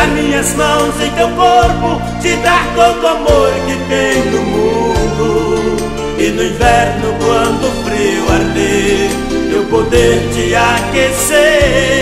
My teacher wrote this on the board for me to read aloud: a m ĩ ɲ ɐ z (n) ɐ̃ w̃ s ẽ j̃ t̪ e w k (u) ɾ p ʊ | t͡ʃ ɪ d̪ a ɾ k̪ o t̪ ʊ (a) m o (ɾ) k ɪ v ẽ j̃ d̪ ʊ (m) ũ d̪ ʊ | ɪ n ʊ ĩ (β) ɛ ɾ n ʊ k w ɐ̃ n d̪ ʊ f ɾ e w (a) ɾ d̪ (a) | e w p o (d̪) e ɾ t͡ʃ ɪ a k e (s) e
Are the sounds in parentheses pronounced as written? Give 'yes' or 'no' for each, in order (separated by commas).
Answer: no, no, yes, yes, yes, no, yes, no, yes, yes